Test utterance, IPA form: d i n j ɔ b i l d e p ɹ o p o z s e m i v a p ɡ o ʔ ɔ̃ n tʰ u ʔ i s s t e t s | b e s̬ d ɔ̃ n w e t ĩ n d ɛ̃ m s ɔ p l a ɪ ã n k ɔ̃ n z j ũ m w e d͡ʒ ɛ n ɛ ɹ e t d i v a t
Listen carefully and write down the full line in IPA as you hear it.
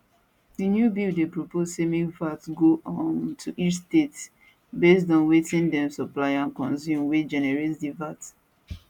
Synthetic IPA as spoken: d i n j u b i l d e p ɹ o p o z s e m i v a t ɡ o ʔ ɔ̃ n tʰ u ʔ i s s t e t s | b e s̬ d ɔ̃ n w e t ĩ n d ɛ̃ m s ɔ p l a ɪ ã n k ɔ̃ n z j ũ m w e d͡ʒ ɛ n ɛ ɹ e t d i v a t